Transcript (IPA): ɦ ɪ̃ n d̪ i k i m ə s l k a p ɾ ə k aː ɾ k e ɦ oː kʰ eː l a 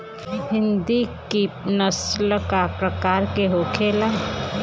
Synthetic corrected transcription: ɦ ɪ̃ n d̪ i k i n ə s l k a p ɾ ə k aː ɾ k e ɦ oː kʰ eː l a